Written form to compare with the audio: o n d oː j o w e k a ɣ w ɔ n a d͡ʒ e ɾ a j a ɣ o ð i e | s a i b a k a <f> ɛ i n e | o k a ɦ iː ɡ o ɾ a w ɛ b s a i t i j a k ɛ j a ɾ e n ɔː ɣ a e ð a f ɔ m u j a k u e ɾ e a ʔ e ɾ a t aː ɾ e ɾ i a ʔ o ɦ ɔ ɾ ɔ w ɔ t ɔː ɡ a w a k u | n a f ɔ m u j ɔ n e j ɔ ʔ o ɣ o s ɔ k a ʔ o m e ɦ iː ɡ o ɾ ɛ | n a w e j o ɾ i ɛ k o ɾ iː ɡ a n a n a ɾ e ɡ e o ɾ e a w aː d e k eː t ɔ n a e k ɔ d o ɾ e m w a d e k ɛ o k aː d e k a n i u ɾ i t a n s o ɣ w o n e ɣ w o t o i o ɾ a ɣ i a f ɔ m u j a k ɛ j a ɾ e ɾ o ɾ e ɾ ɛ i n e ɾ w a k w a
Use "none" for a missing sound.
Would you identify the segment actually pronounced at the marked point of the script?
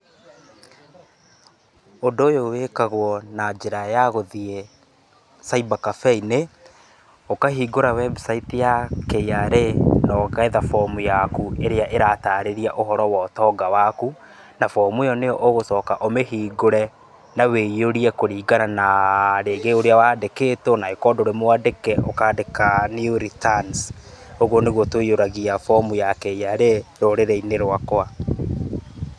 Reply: f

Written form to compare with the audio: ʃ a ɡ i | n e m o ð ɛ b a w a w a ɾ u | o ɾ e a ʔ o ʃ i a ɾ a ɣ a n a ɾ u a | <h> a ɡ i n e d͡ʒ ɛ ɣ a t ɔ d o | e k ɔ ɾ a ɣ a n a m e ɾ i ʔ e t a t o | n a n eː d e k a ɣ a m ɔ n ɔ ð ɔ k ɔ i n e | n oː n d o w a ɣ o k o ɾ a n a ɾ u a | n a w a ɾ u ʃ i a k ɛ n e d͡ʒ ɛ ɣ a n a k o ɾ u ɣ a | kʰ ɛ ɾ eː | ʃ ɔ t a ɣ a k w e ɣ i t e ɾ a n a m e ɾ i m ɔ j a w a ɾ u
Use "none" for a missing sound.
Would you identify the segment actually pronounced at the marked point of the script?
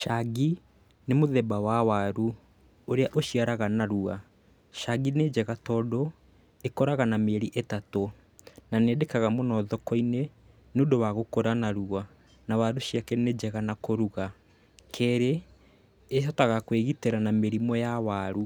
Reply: ʃ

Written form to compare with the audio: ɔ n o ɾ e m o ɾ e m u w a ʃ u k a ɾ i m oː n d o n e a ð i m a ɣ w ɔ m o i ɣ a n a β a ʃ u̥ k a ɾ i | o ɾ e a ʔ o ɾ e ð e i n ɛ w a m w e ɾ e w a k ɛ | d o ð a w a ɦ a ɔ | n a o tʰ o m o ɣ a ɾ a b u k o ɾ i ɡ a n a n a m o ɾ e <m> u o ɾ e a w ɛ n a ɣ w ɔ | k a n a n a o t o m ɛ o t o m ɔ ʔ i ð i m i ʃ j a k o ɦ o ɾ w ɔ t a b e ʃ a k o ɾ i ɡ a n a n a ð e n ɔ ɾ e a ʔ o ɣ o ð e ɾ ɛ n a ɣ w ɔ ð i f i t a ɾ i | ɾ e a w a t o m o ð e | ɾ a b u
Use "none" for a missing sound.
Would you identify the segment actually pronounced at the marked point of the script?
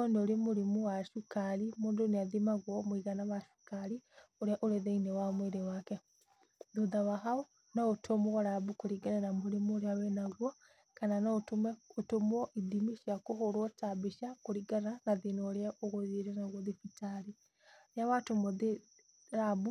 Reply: m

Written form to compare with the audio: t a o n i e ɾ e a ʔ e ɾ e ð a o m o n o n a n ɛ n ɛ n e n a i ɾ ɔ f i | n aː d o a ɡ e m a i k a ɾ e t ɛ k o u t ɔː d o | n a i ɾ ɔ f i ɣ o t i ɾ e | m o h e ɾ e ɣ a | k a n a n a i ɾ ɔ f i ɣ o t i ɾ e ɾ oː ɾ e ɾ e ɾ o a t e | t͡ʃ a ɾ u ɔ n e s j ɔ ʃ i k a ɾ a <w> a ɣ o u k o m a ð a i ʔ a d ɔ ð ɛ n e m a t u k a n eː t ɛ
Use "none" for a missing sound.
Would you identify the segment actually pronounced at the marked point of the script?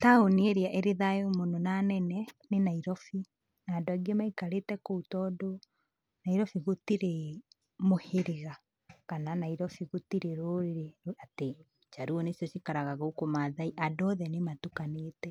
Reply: ɣ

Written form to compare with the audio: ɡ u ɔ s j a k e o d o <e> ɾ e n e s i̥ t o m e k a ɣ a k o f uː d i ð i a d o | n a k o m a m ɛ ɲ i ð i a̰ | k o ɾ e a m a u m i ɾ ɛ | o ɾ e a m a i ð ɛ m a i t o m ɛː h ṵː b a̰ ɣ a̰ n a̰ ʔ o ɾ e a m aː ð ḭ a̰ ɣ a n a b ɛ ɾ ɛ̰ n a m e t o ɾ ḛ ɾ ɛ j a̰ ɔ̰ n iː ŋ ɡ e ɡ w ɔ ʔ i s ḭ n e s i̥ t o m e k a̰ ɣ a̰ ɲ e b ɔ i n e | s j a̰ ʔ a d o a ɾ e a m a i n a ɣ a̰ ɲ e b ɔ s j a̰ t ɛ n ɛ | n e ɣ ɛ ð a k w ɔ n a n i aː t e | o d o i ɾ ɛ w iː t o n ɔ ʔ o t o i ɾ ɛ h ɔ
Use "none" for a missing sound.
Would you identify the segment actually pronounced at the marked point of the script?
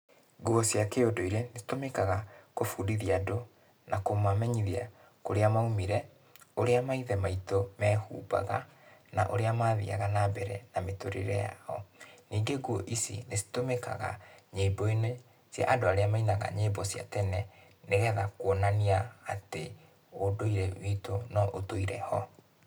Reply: i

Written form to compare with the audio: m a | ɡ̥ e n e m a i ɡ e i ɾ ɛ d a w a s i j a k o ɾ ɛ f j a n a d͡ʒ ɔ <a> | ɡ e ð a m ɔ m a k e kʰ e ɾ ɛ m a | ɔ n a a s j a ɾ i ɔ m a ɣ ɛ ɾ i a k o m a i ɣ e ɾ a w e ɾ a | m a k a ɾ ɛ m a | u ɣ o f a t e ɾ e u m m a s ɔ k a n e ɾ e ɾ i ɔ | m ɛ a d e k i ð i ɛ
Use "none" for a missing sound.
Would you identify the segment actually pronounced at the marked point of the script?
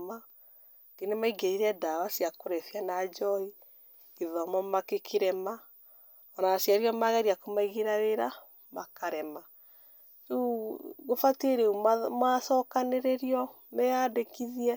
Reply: i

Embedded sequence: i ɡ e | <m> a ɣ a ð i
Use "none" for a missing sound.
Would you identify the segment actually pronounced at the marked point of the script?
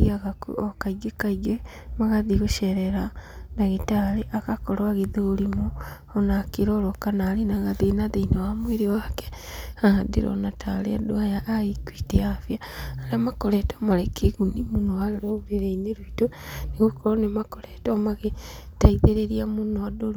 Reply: m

